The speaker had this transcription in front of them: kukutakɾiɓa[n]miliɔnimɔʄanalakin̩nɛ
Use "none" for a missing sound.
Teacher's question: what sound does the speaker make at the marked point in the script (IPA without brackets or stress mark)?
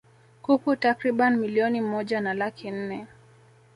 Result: n